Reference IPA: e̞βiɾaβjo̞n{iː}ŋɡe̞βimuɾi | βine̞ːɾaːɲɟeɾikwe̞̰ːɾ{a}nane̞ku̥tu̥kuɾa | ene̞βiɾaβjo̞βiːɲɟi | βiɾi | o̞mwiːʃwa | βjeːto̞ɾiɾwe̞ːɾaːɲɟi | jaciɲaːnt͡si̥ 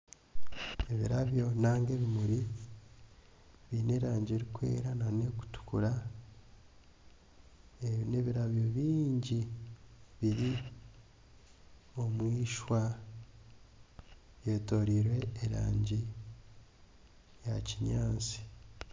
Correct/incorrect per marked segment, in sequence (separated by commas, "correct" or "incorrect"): incorrect, correct